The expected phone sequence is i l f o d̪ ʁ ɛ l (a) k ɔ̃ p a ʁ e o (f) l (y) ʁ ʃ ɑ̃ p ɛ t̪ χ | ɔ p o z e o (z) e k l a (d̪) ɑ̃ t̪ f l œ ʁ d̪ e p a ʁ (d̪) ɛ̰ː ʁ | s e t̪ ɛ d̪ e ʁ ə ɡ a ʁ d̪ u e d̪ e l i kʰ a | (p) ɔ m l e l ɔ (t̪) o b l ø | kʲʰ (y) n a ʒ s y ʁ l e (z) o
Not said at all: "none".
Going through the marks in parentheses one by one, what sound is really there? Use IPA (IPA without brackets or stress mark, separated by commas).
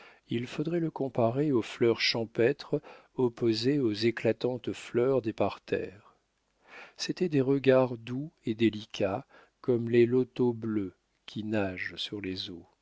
ə, f, œ, z, t̪, t̪, k, t̪, i, z